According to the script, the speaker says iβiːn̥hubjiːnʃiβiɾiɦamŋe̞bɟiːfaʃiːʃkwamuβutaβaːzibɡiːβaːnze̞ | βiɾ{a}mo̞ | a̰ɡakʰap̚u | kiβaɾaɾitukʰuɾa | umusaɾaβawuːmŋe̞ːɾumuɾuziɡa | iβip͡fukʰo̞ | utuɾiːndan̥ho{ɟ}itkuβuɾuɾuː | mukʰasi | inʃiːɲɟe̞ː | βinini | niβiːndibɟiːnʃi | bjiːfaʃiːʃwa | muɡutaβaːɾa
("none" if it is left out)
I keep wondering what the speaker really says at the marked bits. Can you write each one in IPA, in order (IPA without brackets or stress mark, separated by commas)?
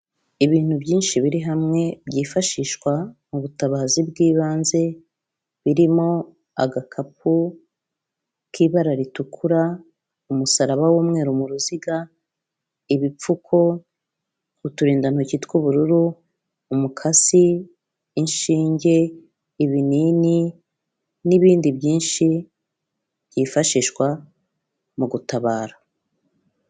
i, c